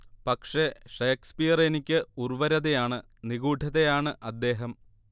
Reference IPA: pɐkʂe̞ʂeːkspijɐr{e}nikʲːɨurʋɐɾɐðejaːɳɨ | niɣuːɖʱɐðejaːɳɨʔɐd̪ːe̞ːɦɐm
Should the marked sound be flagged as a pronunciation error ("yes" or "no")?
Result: no